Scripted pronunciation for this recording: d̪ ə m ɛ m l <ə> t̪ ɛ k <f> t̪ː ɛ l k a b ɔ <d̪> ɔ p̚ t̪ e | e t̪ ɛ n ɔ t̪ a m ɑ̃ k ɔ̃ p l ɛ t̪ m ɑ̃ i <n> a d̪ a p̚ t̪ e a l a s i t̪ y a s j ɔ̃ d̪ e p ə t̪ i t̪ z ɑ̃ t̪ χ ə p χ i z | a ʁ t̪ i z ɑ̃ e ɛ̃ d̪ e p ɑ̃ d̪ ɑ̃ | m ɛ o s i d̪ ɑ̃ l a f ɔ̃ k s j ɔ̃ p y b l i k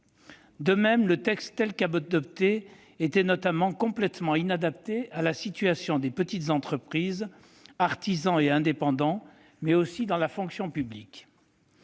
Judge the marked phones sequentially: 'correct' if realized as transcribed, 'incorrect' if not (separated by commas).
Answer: correct, incorrect, correct, correct